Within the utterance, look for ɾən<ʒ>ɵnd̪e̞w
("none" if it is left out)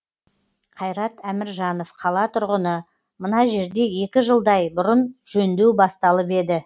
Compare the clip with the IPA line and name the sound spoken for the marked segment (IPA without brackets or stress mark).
ʒ